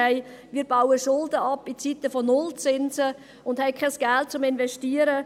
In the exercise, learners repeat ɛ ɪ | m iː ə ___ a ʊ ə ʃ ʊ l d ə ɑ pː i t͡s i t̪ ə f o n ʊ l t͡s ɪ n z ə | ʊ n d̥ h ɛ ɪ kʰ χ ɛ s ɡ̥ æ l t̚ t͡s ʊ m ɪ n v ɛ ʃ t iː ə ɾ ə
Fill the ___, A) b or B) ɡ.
A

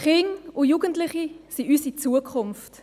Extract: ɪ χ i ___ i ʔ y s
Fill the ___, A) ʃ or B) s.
B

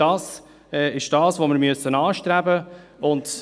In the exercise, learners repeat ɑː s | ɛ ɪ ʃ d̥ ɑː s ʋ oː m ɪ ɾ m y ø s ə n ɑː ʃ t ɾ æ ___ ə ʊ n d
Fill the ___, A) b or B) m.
A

